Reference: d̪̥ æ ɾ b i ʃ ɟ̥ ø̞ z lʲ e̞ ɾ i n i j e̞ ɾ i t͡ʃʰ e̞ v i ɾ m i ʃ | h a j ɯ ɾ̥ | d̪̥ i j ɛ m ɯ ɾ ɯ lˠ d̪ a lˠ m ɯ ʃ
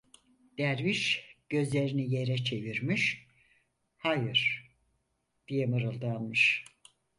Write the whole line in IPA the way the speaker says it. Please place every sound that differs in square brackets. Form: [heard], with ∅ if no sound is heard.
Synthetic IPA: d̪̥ æ ɾ [v] i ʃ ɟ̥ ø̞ z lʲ e̞ ɾ i n i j e̞ ɾ [ɛ] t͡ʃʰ e̞ v i ɾ m i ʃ | h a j ɯ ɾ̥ | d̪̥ i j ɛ m ɯ ɾ ɯ lˠ d̪ a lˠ m ɯ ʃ